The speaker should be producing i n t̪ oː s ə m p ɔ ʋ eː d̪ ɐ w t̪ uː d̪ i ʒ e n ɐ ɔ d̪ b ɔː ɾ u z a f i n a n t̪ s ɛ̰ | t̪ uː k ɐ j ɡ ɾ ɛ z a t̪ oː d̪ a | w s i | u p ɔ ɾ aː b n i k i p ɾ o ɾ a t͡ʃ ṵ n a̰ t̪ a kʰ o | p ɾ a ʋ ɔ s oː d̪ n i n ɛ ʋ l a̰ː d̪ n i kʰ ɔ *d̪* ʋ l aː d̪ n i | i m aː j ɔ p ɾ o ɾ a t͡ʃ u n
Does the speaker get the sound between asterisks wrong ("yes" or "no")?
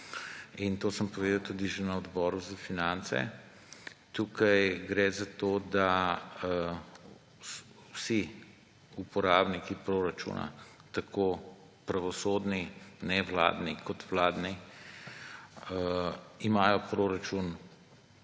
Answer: yes